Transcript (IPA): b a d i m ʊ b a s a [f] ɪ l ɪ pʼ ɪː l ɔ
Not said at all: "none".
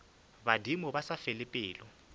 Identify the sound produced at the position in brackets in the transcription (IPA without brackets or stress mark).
f